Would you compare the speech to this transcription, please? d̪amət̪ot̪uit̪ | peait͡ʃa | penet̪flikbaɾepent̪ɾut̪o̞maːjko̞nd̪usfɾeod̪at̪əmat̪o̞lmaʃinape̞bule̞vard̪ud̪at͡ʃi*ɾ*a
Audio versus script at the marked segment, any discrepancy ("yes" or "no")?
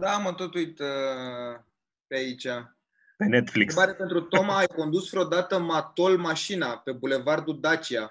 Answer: yes